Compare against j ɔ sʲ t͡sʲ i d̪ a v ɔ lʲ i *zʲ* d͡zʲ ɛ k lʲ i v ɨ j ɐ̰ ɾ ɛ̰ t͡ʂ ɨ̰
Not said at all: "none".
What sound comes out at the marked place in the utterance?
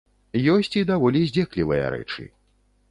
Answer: zʲ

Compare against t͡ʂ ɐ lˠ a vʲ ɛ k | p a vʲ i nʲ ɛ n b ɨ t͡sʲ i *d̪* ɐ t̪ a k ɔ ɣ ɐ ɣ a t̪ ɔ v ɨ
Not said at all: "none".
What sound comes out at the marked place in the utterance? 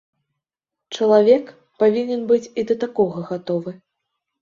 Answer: d̪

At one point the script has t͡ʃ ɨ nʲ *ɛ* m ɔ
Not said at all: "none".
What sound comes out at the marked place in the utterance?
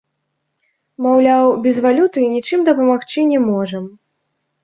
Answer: ɛ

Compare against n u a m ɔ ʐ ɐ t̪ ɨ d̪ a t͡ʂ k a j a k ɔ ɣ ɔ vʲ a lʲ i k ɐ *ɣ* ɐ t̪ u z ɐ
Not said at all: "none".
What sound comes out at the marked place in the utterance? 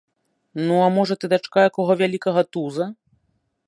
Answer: ɣ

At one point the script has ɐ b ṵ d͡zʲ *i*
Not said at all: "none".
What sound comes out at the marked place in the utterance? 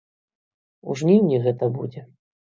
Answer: ɛ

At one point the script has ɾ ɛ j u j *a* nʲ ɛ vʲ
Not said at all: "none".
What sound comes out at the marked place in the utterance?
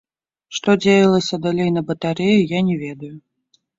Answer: a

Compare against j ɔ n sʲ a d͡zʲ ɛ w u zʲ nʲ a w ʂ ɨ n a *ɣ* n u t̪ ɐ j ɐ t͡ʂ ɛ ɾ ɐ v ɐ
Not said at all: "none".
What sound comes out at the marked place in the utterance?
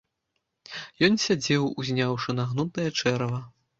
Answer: ɣ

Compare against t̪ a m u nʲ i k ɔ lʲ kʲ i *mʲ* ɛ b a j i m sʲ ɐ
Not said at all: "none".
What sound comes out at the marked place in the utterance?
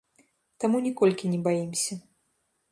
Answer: nʲ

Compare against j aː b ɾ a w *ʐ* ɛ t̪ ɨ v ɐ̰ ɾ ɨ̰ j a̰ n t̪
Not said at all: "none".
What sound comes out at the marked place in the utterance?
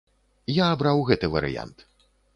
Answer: ɣ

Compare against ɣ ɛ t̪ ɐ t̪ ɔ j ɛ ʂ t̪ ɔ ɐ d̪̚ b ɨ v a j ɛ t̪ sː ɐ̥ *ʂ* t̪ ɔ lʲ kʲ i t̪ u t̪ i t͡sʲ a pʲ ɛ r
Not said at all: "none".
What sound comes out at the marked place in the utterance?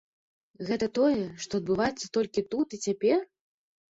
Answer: none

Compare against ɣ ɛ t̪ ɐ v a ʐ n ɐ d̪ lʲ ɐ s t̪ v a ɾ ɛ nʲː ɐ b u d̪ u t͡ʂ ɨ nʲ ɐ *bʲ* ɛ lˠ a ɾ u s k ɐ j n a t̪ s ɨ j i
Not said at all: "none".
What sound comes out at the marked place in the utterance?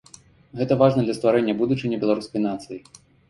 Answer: bʲ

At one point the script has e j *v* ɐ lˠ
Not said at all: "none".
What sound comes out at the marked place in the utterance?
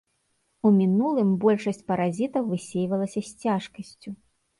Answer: v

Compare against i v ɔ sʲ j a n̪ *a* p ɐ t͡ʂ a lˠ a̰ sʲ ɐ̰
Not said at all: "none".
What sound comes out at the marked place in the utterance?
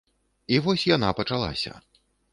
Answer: a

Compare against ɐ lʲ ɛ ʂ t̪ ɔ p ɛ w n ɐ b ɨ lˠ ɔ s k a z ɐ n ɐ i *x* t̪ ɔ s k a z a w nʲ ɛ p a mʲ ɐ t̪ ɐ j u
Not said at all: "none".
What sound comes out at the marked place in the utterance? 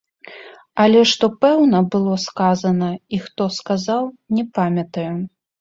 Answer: x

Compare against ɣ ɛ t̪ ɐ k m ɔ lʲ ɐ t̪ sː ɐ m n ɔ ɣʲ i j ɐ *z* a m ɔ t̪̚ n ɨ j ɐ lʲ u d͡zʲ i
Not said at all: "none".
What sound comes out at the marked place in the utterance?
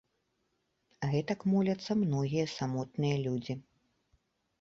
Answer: s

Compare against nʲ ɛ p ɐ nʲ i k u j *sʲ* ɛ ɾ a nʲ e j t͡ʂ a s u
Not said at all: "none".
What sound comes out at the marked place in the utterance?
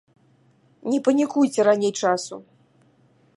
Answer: t͡sʲ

